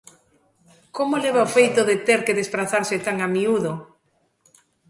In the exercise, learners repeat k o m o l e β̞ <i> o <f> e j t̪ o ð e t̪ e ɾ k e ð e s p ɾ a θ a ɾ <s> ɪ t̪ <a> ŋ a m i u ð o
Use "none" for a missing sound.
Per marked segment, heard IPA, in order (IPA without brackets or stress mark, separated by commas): a, f, s, a